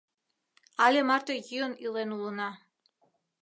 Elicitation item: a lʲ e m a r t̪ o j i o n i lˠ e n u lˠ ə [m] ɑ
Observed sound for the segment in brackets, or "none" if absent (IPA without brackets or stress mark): n